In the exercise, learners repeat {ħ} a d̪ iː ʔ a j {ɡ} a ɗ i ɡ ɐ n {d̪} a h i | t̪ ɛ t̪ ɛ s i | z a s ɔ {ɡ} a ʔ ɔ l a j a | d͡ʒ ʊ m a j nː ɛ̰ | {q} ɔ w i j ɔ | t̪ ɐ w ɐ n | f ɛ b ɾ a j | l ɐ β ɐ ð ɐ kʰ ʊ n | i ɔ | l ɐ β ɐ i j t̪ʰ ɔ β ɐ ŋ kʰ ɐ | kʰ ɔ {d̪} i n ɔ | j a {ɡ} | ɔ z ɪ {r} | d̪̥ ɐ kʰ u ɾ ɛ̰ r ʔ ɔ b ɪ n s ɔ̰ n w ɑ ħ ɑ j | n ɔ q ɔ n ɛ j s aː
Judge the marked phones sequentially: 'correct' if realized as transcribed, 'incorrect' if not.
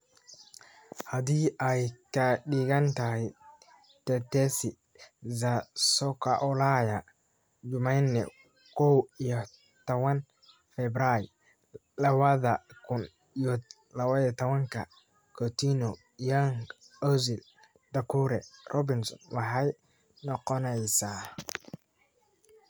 incorrect: h, incorrect: k, incorrect: t̪, incorrect: k, incorrect: k, incorrect: t̪, incorrect: ŋ, incorrect: l

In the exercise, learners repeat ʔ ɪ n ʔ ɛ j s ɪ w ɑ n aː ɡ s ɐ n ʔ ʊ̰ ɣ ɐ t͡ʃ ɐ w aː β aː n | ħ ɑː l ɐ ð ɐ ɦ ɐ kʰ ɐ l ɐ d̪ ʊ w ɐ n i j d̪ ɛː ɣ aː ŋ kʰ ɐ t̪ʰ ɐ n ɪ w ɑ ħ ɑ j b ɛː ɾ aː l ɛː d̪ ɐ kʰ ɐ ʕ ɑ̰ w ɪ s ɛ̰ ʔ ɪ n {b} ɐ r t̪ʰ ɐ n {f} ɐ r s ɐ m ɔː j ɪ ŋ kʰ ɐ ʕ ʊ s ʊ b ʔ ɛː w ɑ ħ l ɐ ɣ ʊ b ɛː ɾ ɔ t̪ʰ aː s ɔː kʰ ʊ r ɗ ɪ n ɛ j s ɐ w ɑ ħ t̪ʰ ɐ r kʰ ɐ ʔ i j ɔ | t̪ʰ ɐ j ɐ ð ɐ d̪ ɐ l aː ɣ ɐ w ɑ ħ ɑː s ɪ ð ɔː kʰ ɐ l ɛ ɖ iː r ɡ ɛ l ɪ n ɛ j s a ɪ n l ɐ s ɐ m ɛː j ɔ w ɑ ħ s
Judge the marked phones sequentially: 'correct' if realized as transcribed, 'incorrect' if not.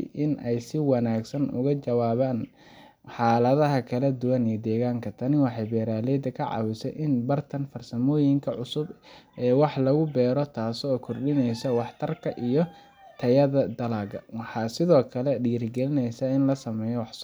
correct, correct

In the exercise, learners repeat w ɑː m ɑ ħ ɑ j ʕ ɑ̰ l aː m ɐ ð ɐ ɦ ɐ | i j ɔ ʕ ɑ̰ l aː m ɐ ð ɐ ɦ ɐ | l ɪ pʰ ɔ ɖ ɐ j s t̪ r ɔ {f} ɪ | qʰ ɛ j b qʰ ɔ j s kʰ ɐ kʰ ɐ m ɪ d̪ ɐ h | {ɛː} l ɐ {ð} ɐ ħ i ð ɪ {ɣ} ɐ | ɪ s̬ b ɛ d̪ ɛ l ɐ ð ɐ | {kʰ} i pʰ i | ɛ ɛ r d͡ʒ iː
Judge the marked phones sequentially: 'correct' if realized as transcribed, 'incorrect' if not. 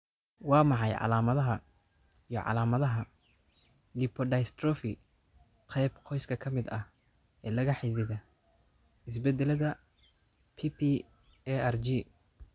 correct, correct, incorrect: ɣ, incorrect: ð, incorrect: pʰ

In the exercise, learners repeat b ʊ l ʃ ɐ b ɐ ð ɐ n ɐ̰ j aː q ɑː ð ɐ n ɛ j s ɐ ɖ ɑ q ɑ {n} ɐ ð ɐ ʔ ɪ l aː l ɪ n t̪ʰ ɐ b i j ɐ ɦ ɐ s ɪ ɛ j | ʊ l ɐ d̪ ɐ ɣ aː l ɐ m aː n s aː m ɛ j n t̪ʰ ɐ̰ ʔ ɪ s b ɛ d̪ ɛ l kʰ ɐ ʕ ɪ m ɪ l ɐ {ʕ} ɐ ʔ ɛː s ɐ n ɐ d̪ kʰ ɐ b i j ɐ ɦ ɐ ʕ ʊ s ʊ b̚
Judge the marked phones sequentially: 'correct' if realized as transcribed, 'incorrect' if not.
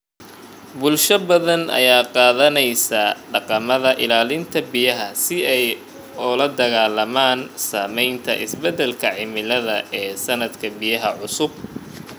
incorrect: m, incorrect: ð

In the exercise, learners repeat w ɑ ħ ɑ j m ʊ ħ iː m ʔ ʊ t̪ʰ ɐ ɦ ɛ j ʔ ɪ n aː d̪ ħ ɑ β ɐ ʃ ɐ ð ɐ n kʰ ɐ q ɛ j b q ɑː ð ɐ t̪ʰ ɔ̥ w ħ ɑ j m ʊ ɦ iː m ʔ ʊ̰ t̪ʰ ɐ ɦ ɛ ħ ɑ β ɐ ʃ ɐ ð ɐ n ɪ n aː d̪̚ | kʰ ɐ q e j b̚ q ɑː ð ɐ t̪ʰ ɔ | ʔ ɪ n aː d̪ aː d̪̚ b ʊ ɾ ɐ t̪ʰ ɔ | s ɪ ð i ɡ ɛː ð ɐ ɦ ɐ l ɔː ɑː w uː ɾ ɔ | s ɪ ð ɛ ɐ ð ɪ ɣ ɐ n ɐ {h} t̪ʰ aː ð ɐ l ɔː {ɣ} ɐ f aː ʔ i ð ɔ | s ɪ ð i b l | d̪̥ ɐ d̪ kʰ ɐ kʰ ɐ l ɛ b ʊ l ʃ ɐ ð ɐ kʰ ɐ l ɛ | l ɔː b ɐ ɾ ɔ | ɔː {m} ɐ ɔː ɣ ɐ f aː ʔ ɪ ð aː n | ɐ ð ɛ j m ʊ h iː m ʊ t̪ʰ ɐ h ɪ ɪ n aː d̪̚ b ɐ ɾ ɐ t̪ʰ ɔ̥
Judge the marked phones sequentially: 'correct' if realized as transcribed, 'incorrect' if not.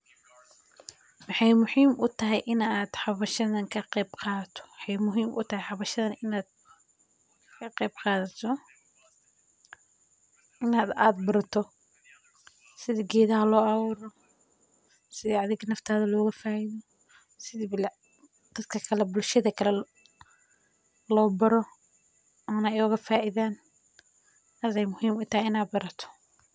incorrect: f, correct, incorrect: n

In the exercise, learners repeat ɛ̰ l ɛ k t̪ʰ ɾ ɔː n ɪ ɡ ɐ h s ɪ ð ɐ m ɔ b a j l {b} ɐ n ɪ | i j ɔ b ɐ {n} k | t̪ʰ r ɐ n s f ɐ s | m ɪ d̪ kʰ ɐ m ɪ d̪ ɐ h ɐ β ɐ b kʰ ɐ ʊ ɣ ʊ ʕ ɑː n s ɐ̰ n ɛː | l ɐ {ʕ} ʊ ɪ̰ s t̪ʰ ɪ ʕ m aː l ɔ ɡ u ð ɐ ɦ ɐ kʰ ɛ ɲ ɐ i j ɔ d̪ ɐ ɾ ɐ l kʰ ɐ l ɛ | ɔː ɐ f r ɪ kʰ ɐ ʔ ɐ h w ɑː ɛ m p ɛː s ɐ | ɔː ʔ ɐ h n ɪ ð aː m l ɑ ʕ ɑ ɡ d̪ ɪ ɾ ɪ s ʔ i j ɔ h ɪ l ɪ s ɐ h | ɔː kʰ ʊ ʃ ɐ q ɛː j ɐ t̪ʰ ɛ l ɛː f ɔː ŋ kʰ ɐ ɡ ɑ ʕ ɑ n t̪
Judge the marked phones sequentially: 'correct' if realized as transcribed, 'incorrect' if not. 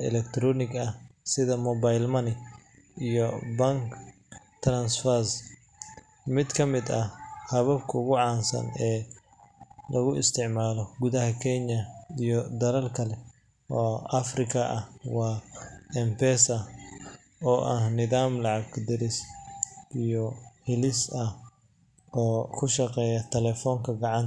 incorrect: m, incorrect: ŋ, incorrect: ɣ

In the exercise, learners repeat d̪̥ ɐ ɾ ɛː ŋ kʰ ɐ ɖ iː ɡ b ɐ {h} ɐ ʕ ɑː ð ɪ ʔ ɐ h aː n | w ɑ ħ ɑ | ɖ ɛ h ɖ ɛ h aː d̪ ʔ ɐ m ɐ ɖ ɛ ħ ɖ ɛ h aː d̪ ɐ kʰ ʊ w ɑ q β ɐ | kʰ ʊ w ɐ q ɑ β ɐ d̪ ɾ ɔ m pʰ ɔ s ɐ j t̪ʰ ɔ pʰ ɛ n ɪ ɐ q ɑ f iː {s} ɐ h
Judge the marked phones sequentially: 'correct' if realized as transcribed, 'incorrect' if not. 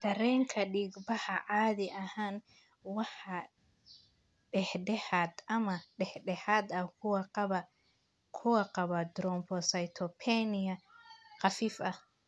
correct, incorrect: f

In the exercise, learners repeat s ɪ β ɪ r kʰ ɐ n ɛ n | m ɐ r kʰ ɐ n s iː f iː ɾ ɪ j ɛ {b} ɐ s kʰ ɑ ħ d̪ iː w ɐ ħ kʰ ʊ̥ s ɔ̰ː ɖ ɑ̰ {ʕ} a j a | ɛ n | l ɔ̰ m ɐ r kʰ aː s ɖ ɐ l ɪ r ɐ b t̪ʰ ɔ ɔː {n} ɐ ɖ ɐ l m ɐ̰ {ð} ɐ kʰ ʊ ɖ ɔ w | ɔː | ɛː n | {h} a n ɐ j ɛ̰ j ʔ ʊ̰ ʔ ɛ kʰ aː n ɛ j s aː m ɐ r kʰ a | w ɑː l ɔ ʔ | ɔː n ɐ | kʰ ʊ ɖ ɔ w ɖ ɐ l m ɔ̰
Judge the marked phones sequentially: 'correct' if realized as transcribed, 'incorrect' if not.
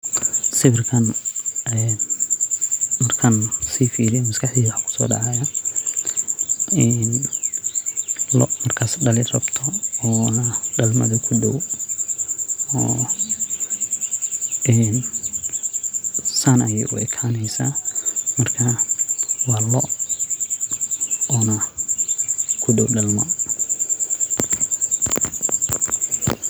incorrect: m, correct, correct, correct, incorrect: s

